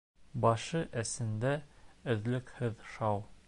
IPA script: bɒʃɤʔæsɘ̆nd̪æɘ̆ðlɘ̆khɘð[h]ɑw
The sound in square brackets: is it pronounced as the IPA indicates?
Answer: no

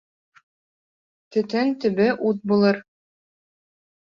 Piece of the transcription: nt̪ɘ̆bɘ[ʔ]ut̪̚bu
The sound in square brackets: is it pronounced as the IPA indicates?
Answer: yes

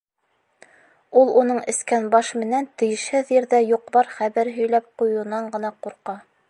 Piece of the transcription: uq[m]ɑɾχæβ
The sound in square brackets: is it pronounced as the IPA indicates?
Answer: no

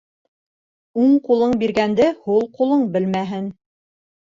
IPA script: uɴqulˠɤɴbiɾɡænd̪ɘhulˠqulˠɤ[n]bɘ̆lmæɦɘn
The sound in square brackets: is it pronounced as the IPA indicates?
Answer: no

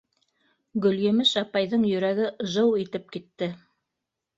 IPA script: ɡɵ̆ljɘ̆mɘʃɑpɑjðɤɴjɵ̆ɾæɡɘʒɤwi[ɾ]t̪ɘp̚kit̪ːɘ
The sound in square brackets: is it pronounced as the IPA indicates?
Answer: no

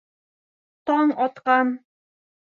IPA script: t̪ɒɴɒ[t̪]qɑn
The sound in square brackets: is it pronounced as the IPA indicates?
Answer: yes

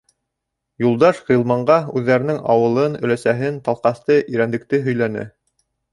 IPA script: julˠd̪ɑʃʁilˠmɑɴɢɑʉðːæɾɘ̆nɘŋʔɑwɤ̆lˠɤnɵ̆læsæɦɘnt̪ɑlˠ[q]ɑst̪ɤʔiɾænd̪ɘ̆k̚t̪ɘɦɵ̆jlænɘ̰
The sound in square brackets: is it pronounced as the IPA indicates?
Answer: yes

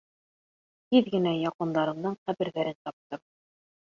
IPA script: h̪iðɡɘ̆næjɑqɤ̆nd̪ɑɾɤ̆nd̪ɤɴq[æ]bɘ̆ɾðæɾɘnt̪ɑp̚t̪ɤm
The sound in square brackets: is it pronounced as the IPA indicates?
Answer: yes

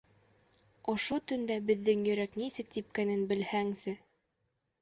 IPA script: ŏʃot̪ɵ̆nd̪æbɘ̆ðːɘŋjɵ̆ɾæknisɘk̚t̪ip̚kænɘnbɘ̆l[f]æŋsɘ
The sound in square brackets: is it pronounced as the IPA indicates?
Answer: no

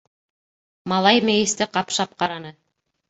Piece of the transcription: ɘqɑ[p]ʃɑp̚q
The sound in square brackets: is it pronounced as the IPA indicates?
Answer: yes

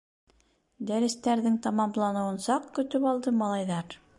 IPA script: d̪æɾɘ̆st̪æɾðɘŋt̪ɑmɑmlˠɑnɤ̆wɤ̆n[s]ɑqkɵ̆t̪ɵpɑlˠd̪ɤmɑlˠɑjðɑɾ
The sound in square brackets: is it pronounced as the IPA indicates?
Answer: yes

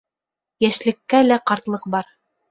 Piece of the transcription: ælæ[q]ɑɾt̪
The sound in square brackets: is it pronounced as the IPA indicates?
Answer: yes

